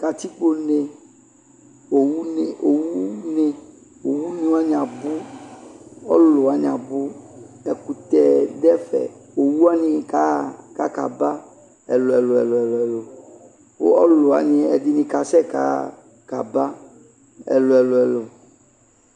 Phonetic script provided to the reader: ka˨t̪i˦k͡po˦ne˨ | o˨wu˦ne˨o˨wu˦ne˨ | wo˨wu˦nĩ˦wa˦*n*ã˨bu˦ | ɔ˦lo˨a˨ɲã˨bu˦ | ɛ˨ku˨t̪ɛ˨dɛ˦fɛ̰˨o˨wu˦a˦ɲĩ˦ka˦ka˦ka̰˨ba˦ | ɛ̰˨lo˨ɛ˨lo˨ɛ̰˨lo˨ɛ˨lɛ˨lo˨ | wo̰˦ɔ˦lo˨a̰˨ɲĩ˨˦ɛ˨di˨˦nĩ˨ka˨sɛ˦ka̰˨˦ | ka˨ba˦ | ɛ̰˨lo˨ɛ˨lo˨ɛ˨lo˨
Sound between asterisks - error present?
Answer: yes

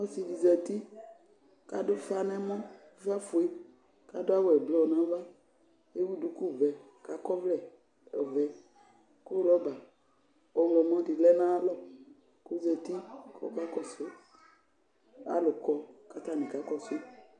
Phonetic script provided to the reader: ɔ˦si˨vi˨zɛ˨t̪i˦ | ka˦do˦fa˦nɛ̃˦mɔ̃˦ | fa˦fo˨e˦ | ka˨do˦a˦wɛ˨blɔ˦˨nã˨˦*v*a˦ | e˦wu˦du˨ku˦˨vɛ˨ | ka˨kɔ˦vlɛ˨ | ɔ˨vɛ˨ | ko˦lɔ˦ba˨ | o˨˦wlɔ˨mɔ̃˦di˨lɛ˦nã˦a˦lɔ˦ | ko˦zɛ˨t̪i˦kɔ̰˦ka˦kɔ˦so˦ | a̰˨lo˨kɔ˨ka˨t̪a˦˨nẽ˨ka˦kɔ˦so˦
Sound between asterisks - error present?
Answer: no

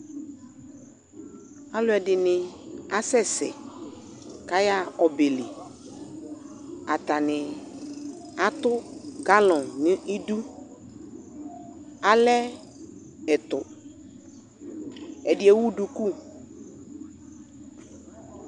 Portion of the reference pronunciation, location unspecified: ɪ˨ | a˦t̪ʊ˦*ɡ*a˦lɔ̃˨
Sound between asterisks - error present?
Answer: no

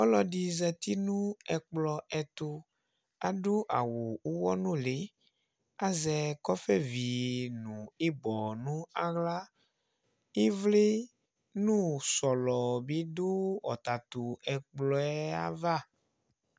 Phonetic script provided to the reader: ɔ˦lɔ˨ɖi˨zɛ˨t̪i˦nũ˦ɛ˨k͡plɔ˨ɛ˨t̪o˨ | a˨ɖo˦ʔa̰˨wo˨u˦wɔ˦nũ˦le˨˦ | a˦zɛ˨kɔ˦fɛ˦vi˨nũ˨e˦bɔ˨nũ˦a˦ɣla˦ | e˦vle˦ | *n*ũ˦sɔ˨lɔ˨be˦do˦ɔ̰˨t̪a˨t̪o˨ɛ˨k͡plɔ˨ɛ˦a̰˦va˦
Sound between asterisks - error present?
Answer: no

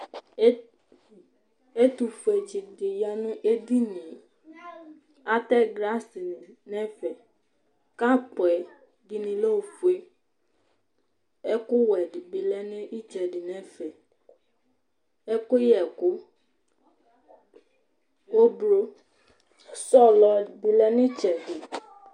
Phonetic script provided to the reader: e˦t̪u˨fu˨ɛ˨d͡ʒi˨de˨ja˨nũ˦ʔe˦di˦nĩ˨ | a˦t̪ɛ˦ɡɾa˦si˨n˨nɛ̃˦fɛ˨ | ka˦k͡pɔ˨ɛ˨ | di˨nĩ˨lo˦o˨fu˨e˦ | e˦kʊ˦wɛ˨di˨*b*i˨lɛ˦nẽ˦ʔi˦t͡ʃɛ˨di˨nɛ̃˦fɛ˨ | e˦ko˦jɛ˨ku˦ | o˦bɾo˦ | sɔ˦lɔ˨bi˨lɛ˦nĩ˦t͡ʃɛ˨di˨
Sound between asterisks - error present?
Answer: no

